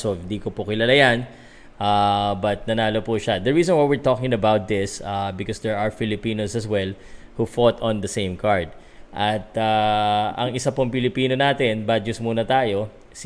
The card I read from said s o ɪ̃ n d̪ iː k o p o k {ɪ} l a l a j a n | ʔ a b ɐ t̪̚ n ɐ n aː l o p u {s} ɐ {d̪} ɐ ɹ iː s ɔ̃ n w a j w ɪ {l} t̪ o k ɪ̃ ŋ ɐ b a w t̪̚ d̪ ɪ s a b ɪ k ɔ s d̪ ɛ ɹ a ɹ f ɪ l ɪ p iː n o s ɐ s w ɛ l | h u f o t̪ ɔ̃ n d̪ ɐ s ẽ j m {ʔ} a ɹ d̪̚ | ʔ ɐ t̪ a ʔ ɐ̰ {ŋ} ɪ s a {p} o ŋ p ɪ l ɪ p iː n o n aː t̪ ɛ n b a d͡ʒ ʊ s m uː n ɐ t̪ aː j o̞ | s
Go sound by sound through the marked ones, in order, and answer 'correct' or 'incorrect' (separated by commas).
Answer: correct, incorrect, correct, incorrect, incorrect, correct, correct